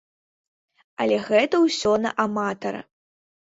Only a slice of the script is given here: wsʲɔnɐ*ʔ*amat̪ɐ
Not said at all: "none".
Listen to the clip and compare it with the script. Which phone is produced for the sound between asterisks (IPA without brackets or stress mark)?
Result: ʔ